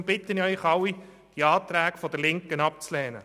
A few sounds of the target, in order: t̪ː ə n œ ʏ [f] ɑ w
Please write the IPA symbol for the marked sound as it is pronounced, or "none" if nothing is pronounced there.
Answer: χ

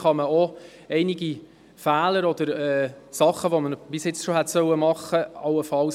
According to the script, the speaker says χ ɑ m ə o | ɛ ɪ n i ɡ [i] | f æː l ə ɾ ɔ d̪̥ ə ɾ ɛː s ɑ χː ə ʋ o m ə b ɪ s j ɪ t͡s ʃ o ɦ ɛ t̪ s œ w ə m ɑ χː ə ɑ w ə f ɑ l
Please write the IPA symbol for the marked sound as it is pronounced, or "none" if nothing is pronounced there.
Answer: i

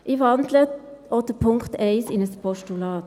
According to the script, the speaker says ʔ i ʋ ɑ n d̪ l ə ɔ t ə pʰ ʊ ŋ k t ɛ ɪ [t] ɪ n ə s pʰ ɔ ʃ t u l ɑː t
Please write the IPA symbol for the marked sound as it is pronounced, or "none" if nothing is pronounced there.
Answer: s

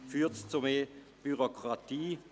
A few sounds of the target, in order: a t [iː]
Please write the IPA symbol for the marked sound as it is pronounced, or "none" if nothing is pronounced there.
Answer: iː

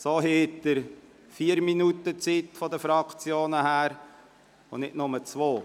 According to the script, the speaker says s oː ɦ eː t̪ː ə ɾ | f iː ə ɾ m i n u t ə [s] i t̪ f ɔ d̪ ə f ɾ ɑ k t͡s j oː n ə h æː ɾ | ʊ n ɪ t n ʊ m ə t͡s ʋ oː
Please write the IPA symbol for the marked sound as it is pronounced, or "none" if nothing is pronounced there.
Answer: t͡s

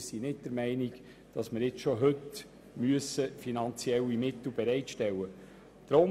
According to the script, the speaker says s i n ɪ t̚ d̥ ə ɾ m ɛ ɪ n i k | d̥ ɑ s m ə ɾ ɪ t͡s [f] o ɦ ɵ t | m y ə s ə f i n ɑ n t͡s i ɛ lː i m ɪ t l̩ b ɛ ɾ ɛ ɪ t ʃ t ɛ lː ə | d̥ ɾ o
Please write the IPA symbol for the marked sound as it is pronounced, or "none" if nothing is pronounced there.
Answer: ʃ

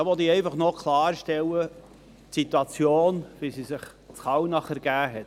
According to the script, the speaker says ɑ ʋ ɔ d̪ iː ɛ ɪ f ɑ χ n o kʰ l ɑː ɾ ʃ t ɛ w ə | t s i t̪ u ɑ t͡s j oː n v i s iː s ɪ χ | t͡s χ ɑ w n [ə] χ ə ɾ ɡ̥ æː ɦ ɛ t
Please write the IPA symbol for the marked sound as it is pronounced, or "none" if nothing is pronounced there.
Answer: ɑ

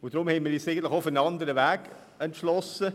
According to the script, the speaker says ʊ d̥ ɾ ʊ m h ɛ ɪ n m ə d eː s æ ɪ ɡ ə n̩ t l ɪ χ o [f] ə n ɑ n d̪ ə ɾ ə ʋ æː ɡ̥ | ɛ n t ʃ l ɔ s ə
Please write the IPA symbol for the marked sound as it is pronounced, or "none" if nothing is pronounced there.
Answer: f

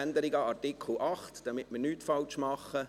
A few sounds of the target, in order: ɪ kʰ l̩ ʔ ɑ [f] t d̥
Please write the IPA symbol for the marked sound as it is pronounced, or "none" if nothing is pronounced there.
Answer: χ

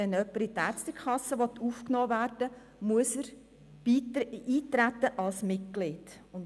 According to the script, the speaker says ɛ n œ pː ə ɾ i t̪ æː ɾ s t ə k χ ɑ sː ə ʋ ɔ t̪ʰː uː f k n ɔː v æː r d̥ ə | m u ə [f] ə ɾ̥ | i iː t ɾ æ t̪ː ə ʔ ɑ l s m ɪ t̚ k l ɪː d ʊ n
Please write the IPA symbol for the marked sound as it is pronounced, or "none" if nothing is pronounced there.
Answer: s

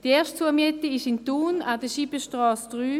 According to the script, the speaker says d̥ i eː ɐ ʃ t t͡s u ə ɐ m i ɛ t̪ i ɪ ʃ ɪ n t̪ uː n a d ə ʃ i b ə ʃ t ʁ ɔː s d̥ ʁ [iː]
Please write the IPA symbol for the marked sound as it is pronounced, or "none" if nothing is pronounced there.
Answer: yː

